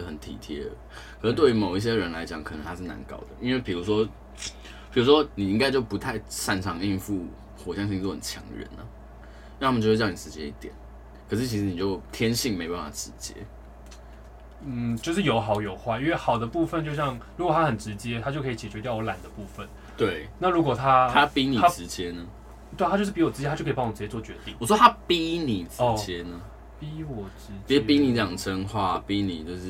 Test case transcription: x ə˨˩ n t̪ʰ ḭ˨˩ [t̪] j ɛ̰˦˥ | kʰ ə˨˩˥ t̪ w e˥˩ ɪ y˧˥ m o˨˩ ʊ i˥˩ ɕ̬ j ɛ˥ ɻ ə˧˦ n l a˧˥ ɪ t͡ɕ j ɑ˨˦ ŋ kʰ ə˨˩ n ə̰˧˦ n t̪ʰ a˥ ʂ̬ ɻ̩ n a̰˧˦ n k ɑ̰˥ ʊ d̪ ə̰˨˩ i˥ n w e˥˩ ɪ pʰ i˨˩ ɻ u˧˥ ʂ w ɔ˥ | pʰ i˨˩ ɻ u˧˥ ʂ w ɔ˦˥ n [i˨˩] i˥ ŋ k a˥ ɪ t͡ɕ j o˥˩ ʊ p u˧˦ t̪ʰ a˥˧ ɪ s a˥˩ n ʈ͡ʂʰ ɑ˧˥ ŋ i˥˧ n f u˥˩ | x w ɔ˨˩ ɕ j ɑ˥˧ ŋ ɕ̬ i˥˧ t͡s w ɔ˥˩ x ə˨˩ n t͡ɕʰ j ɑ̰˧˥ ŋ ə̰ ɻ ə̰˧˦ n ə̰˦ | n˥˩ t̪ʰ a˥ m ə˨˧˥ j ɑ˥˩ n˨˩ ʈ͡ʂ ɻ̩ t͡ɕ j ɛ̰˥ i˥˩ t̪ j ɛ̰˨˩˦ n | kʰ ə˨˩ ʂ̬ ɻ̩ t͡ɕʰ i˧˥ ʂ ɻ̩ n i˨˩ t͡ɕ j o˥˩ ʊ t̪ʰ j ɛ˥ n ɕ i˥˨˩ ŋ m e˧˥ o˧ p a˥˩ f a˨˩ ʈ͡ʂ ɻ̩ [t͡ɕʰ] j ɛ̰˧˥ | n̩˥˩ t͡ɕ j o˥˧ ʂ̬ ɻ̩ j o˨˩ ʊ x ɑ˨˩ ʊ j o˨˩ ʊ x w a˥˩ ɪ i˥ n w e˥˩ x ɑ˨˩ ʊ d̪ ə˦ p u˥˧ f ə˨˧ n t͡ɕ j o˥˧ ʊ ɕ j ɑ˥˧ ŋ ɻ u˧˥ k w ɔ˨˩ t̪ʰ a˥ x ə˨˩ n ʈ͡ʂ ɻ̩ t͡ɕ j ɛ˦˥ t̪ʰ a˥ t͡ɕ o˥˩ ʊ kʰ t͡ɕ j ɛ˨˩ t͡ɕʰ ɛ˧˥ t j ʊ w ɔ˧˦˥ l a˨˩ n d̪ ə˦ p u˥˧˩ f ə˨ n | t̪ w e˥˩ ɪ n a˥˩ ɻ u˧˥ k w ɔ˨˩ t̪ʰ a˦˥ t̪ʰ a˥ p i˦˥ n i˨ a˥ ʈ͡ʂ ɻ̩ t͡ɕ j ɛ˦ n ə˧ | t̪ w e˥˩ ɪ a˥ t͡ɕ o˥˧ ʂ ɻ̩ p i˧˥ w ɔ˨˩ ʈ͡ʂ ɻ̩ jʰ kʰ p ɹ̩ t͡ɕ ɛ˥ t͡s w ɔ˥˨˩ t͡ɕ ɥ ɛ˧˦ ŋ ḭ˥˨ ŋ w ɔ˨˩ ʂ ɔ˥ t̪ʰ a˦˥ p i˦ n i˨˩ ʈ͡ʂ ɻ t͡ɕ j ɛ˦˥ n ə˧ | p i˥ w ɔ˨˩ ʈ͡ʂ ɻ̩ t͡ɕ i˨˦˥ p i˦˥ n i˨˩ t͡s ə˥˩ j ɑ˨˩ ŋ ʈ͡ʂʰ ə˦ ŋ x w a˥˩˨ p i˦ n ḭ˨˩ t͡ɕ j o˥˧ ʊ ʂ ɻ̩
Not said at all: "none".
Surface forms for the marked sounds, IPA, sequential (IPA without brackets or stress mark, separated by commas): t̪ʰ, i˨˩, t͡ɕ